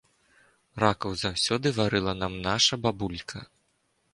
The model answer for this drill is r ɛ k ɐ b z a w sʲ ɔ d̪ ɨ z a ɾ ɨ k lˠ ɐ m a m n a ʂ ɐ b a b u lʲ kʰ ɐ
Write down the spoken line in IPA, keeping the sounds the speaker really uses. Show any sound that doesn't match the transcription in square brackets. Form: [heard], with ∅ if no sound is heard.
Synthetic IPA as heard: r [a] k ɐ [w] z a w sʲ ɔ d̪ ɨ [v] a ɾ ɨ [∅] lˠ ɐ [n] a m n a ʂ ɐ b a b u lʲ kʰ ɐ